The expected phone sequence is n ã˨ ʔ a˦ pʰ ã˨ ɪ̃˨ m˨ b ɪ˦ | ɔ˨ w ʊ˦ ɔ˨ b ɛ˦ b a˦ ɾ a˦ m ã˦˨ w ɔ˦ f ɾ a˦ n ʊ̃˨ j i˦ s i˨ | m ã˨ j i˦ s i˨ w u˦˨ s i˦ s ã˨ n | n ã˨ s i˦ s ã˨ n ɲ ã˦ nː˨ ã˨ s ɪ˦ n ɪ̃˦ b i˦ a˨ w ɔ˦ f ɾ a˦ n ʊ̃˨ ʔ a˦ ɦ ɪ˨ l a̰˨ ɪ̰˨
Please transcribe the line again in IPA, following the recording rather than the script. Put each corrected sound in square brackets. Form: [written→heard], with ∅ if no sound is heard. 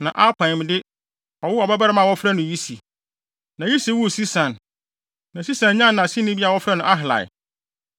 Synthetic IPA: n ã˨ ʔ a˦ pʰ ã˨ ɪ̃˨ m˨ [b→d] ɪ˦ | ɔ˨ w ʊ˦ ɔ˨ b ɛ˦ b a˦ ɾ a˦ m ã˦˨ w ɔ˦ f ɾ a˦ n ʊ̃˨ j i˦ s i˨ | [m→n] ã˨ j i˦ s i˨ w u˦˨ s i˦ s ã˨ n | n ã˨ s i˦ s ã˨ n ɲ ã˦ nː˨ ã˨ s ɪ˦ n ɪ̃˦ b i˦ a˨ w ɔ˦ f ɾ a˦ n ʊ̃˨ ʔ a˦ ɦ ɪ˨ l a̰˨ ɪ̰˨